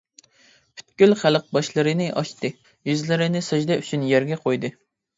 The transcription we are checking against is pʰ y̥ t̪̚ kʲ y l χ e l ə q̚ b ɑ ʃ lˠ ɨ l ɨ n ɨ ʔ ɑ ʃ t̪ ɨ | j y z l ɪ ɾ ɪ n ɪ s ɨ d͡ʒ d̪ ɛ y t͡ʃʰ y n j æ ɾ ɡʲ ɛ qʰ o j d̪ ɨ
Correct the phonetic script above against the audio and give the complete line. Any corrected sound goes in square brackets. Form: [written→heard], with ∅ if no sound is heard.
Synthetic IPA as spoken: pʰ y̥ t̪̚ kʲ y l χ [e→æ] l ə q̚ b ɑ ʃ lˠ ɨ [l→ɾ] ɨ n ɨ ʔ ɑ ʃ t̪ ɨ | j y z l ɪ ɾ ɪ n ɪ s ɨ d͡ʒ d̪ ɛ y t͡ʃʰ y n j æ ɾ ɡʲ ɛ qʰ o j d̪ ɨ